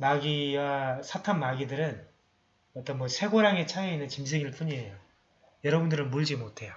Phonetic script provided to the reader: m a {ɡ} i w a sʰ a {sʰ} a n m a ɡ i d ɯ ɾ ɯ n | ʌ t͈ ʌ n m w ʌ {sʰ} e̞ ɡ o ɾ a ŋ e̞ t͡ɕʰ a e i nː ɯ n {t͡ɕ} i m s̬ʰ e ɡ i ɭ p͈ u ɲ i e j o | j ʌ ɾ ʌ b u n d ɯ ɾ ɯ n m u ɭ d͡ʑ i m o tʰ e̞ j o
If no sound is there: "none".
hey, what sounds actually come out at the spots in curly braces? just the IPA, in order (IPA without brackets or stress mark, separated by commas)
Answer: ɡ, tʰ, sʰ, t͡ɕ